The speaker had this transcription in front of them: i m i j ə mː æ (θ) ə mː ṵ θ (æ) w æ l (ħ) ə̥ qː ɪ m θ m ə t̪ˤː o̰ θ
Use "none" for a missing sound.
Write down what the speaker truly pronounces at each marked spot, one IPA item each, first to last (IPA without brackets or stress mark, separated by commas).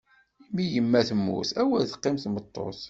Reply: θ, æ, θ